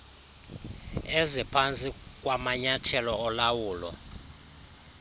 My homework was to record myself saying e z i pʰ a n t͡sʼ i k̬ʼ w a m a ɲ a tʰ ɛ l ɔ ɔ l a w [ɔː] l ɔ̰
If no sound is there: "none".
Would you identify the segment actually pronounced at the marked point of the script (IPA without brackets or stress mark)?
uː